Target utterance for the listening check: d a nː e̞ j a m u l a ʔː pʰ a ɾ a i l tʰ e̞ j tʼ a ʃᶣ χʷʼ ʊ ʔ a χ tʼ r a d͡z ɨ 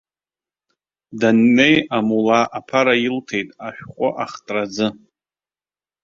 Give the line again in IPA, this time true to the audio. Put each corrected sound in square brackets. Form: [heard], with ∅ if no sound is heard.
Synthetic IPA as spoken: d a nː e̞ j a m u l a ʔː pʰ a ɾ a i l tʰ e̞ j tʼ a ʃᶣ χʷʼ ʊ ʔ a χ tʼ r a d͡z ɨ